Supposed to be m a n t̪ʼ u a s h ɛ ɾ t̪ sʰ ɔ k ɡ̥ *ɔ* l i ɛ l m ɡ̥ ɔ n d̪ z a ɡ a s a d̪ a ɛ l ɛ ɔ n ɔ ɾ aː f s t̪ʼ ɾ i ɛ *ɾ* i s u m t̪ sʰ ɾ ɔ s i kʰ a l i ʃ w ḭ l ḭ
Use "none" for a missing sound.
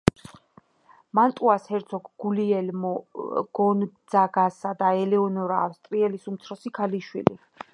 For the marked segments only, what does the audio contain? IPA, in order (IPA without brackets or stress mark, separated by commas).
u, l